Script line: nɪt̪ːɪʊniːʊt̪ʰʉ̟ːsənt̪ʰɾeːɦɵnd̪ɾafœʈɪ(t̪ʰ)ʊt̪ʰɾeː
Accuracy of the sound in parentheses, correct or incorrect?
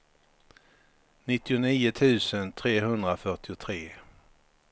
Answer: incorrect